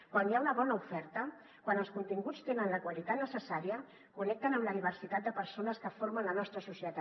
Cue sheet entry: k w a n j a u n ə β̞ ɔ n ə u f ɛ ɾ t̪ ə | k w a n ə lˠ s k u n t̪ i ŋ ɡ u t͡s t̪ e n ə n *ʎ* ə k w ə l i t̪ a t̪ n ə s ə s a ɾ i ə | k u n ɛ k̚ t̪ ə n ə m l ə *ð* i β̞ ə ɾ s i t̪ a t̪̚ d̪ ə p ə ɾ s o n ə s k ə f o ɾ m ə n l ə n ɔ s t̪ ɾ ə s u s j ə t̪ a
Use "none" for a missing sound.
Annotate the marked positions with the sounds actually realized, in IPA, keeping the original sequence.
l, ð

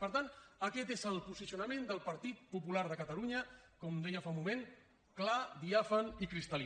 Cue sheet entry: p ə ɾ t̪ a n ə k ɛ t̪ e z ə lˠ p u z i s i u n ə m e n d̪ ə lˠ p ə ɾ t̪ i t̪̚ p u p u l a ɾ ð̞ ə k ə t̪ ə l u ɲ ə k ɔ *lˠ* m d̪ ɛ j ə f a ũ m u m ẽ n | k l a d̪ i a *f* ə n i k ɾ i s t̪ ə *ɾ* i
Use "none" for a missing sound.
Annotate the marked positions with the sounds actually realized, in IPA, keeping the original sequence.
none, f, l

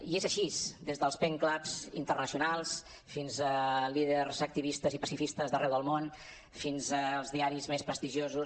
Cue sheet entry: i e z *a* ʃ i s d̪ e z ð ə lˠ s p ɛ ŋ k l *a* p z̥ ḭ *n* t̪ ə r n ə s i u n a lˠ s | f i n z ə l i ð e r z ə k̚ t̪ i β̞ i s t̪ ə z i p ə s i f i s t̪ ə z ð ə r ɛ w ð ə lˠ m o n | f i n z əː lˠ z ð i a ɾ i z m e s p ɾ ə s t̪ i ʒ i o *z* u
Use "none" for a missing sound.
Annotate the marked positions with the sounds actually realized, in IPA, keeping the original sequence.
ə, a, n, z

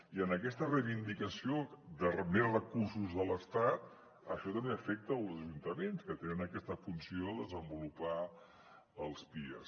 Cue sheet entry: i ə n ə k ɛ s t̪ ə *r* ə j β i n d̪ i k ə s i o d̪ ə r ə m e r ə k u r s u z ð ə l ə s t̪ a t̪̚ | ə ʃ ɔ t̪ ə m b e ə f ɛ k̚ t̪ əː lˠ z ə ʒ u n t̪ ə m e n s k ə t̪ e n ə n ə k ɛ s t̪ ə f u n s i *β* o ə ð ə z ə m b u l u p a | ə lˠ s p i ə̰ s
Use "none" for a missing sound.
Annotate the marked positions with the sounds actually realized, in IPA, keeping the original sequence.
r, none

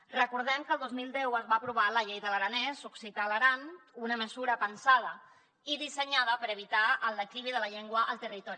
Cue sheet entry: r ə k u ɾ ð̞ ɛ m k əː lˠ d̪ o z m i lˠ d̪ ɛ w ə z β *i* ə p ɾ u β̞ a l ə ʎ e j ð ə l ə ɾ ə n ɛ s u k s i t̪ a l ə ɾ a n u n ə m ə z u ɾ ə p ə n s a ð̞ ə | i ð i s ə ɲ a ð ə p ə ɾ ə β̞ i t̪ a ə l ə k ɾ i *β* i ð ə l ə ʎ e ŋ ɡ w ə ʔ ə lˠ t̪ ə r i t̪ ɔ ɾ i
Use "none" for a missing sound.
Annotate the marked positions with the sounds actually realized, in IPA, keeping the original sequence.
a, β

